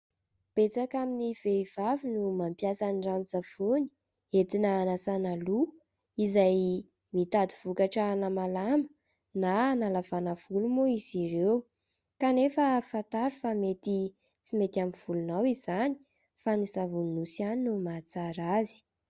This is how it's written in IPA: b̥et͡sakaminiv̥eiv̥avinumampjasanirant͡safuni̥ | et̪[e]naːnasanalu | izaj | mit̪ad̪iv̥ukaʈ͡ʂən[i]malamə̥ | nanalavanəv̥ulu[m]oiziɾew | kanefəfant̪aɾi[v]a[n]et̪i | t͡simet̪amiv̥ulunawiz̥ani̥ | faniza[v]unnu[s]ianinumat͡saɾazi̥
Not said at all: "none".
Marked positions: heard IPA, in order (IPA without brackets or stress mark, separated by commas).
i, a, m, f, m, v, s